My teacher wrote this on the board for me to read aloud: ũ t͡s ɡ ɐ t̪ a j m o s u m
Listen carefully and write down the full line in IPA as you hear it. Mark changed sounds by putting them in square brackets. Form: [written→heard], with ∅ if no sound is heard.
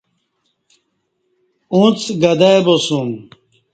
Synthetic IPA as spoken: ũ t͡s ɡ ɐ [t̪→d̪] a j [m→b] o s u m

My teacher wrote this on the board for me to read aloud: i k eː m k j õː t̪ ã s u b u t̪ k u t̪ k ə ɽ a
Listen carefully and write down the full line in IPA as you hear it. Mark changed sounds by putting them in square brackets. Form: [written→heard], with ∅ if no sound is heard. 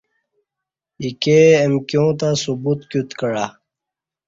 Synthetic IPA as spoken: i k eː m k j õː t̪ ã s u b u t̪ k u t̪ k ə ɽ a

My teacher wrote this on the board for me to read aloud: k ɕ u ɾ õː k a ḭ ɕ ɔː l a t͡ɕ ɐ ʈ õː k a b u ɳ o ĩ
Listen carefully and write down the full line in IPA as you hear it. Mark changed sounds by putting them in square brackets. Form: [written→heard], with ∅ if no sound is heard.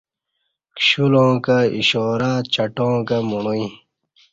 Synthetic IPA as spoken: k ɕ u [ɾ→l] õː k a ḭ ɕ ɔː [l→ɾ] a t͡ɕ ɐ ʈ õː k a [b→m] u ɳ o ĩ

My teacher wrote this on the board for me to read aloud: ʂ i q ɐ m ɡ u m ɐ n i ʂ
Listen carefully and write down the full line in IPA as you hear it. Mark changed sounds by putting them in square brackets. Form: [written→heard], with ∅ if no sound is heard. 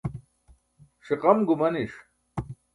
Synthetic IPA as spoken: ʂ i q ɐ m ɡ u m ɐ n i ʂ

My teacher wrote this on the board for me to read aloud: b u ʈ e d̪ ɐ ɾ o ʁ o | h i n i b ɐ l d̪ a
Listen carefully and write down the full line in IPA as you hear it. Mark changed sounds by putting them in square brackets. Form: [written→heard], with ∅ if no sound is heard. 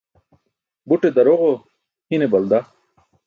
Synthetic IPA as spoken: b u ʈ e d̪ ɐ ɾ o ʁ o | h i n [i→e] b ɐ l d̪ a

